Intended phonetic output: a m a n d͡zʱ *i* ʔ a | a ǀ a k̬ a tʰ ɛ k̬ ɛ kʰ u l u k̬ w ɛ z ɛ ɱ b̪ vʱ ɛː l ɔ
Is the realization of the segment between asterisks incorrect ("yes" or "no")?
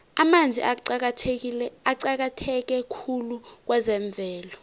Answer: no